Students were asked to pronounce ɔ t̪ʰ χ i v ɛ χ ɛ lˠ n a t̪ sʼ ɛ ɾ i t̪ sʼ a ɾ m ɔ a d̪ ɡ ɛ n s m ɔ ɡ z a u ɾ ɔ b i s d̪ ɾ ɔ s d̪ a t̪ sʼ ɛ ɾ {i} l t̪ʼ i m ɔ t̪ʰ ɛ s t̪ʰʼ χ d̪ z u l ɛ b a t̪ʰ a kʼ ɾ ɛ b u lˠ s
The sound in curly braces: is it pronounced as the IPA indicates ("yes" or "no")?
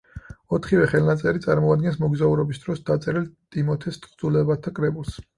yes